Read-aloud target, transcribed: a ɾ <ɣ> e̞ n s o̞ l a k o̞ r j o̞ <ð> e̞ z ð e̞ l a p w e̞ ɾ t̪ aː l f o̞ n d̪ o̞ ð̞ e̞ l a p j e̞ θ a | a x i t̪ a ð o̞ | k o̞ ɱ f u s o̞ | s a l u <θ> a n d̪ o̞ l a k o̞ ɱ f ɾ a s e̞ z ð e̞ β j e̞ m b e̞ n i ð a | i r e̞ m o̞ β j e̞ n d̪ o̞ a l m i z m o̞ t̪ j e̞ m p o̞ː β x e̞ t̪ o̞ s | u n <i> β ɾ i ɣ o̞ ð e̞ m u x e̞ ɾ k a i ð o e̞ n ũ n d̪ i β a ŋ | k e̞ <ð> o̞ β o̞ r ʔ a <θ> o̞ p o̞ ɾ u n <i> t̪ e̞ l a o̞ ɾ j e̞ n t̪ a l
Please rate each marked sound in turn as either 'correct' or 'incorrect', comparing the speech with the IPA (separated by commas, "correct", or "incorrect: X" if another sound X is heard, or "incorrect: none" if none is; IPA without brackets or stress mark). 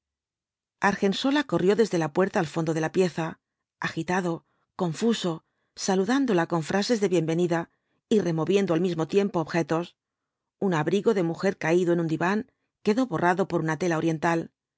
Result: incorrect: x, correct, incorrect: ð, incorrect: a, correct, incorrect: ð, incorrect: a